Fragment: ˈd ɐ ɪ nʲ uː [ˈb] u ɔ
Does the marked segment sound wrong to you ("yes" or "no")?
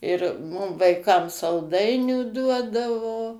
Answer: yes